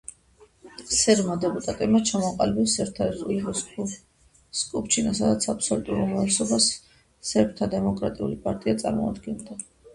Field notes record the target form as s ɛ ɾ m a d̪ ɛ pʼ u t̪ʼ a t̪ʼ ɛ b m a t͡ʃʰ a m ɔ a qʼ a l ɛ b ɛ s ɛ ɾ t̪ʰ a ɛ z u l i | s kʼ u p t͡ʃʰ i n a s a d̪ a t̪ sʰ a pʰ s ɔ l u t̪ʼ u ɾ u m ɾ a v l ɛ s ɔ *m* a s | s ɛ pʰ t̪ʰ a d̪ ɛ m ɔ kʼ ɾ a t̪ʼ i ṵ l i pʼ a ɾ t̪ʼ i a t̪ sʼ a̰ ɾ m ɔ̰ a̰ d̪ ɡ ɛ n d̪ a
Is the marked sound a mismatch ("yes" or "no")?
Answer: yes